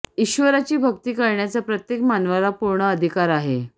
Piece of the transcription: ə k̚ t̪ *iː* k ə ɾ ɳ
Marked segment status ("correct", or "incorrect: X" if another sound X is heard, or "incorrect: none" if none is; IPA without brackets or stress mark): correct